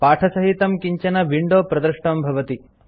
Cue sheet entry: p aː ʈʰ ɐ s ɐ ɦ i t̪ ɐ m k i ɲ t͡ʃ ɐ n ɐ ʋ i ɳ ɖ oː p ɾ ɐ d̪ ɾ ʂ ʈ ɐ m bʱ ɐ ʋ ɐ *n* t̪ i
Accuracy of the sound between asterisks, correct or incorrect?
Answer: incorrect